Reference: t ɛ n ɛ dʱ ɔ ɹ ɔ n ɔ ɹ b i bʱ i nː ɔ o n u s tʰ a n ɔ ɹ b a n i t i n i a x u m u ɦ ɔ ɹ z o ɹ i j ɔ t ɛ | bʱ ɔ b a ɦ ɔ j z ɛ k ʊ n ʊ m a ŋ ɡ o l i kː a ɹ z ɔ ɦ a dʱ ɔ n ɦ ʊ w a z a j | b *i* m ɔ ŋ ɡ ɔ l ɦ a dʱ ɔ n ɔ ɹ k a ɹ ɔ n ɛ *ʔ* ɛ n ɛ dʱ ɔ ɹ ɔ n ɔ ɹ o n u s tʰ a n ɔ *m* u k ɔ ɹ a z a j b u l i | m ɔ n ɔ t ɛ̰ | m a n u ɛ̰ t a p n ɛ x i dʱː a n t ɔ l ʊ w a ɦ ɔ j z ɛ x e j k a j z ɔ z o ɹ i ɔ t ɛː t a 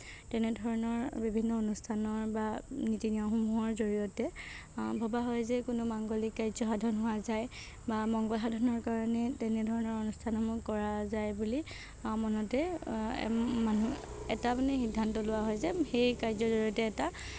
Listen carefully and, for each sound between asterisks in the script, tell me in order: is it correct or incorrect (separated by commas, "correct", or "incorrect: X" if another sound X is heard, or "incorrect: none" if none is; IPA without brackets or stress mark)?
incorrect: a, incorrect: t, correct